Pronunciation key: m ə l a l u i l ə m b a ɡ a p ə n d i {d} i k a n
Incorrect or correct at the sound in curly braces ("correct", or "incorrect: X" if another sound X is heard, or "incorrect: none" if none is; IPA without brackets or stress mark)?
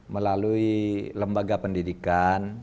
correct